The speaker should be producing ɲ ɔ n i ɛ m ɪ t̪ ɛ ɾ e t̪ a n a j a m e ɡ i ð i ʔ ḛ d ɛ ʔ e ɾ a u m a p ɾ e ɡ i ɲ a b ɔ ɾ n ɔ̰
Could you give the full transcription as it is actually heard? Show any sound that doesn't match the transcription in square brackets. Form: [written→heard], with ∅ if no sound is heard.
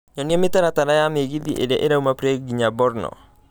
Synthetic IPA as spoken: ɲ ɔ n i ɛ m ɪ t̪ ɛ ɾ [e→a] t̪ a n a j a m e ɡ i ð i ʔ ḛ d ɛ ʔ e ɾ a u m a p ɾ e ɡ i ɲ a b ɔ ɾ n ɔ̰